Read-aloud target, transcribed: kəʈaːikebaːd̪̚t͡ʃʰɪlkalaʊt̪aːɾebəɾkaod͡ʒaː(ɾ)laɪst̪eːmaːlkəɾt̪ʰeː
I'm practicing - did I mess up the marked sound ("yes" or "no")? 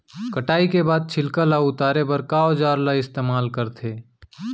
no